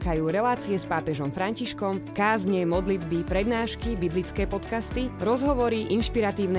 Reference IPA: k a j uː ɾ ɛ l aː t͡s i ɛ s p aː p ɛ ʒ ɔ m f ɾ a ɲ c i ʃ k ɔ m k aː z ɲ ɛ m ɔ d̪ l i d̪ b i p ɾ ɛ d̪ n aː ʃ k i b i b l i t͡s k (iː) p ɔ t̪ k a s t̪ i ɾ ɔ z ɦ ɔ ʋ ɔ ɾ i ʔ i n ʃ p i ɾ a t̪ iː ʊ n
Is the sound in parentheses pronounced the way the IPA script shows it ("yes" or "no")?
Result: no